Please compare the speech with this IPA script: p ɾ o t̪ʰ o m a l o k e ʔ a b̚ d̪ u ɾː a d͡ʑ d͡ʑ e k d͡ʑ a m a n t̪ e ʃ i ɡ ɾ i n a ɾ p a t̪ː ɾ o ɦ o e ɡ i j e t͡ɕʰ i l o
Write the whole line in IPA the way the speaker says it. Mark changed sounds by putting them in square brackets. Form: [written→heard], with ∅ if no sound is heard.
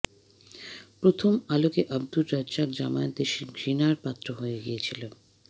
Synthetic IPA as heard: p ɾ o t̪ʰ o m a l o k e ʔ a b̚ d̪ u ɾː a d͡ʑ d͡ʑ [e→a] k d͡ʑ a m a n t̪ e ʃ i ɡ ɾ i n a ɾ p a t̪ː ɾ o ɦ o e ɡ i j e t͡ɕʰ i l o